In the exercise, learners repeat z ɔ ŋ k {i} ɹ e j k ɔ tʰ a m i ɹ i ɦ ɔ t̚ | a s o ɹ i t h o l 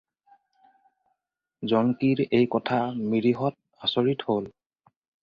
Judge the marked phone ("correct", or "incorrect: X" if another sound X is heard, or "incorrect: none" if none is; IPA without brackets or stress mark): correct